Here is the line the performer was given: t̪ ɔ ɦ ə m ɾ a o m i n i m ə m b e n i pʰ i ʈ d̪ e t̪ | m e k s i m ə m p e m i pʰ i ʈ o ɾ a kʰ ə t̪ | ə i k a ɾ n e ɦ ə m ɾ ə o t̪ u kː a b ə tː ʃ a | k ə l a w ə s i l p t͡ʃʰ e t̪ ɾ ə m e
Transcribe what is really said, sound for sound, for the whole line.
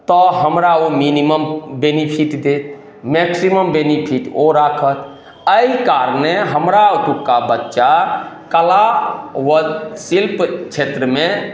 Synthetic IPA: t̪ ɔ ɦ ə m ɾ a o m i n i m ə m b e n i pʰ i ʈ d̪ e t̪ | m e k s i m ə m b e n i pʰ i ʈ o ɾ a kʰ ə t̪ | ə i k a ɾ n e ɦ ə m ɾ a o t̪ u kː a b ə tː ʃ a | k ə l a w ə s i l p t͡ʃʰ e t̪ ɾ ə m e